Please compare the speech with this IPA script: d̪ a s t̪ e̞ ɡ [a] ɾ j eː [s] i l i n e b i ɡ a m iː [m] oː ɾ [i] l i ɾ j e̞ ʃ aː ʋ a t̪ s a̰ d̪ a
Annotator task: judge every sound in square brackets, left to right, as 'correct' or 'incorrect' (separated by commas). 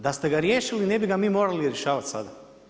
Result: correct, incorrect, correct, incorrect